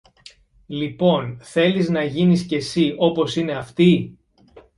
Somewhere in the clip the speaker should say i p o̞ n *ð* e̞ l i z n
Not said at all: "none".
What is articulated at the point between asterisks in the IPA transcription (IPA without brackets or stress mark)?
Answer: θ